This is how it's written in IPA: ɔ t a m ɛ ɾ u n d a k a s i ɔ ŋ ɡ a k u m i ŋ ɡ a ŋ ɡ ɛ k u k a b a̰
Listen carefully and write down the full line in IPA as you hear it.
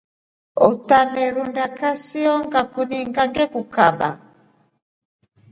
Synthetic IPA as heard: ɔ t a m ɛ ɾ u n d a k a s i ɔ ŋ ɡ a k u n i ŋ ɡ a ŋ ɡ ɛ k u k a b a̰